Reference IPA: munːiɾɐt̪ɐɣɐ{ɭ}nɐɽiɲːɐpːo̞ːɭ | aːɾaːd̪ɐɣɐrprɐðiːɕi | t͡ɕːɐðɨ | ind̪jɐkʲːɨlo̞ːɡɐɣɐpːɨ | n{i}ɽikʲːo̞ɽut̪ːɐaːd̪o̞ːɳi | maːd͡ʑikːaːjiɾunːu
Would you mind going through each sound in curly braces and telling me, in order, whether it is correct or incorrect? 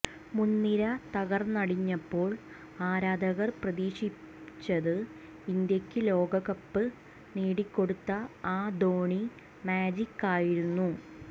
incorrect: r, incorrect: iː

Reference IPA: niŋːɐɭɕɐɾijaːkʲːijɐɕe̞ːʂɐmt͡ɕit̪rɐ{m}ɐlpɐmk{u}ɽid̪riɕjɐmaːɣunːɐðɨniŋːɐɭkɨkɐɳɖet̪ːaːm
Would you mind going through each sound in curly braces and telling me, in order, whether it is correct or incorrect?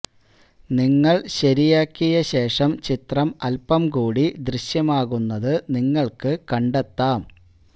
correct, incorrect: uː

